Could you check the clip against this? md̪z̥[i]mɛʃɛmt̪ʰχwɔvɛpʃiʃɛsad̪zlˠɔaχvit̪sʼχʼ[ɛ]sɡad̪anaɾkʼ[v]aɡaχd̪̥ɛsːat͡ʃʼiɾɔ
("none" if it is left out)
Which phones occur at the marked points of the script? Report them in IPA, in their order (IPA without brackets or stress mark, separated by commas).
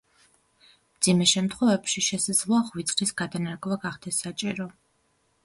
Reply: i, i, v